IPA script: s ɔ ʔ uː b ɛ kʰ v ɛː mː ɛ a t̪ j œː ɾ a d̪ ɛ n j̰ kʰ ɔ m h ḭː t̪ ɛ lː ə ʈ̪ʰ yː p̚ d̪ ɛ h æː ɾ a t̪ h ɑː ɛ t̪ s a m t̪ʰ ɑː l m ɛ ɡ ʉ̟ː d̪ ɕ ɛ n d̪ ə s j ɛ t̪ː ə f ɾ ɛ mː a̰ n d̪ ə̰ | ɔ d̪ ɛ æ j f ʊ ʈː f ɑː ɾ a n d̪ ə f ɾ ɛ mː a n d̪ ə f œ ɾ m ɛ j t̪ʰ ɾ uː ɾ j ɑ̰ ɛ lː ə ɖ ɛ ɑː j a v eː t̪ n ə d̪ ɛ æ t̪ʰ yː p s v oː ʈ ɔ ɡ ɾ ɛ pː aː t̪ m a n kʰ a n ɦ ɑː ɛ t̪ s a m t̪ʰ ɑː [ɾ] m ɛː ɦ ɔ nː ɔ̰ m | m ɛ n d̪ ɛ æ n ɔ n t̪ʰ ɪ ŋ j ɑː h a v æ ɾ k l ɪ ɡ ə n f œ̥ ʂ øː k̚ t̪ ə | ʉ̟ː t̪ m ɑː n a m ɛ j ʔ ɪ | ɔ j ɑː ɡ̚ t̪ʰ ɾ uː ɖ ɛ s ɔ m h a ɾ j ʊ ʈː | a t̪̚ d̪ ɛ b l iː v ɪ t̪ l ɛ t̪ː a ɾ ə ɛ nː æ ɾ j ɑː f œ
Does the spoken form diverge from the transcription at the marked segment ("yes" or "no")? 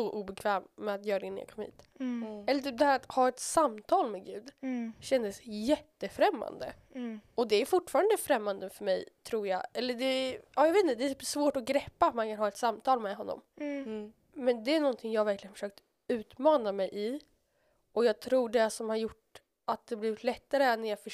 yes